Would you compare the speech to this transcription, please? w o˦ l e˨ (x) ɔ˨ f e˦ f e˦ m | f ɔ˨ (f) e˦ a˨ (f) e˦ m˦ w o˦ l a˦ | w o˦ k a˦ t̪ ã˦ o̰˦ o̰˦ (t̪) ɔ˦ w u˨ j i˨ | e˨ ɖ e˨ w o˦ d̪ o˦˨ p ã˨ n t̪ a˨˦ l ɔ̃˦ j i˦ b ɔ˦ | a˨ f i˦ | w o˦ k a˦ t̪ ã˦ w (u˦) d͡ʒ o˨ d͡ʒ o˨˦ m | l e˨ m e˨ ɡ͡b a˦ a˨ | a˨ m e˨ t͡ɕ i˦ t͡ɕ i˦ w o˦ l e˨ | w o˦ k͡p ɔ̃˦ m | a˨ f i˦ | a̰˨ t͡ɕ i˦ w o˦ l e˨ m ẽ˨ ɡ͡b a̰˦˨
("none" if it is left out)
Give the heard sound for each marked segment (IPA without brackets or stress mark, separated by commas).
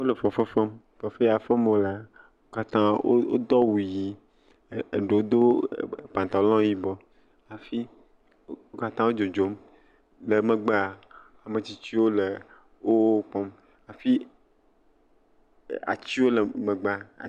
f, f, f, d̪, o˦